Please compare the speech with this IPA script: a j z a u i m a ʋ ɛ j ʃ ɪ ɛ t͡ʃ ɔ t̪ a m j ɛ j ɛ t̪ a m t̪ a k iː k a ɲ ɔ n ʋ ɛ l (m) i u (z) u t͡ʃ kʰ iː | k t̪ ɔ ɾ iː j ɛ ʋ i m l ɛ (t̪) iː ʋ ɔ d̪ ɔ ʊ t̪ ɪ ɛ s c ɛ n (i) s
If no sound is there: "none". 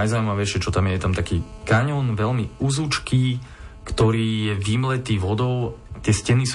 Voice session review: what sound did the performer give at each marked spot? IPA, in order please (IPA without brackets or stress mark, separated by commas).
m, z, t̪, i